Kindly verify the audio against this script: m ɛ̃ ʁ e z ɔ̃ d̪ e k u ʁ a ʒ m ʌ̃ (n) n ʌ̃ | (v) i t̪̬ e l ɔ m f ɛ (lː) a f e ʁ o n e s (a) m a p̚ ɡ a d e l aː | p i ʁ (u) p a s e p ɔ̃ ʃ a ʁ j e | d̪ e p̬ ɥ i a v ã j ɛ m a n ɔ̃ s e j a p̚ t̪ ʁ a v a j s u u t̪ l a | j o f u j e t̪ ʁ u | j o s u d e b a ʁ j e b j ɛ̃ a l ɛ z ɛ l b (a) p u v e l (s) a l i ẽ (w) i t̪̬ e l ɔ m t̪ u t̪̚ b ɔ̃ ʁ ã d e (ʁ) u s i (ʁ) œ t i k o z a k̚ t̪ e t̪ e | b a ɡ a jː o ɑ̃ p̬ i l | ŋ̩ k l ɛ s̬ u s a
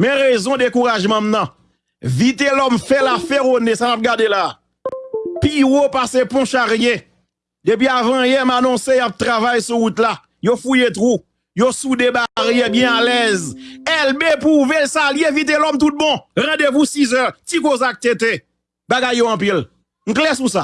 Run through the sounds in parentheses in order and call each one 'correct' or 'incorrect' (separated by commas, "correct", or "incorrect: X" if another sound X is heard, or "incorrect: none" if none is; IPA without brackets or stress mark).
incorrect: m, correct, incorrect: l, correct, incorrect: o, incorrect: e, correct, incorrect: v, incorrect: v, incorrect: z